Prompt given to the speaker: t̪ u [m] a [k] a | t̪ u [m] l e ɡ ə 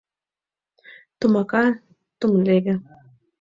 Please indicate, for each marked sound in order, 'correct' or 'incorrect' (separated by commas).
correct, correct, correct